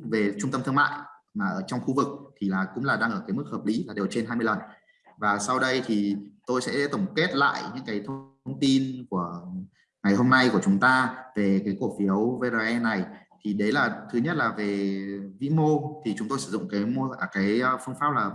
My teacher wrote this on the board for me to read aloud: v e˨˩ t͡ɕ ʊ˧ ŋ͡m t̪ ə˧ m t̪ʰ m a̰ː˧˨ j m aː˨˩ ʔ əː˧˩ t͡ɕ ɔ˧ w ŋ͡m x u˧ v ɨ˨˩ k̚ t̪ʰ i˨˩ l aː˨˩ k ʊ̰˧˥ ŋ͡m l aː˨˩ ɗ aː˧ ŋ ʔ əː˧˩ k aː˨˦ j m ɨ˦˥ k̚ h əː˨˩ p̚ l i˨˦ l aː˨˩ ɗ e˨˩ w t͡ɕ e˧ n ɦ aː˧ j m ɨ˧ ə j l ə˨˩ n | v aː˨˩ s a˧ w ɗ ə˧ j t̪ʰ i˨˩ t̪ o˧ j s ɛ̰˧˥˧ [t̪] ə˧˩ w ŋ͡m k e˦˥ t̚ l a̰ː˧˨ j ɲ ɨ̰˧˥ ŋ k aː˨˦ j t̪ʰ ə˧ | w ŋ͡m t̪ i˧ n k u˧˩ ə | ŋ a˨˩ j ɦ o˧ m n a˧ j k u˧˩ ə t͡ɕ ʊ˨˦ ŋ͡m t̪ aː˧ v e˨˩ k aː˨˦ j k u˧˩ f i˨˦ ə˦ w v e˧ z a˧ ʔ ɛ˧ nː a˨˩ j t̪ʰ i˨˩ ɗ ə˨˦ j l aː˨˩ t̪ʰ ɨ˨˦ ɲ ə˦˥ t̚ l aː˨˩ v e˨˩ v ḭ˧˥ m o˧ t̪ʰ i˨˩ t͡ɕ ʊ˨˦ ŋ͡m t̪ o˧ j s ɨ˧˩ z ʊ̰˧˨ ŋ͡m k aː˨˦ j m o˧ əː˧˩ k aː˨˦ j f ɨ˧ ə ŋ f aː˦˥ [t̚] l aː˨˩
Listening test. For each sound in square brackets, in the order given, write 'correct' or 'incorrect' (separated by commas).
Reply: correct, incorrect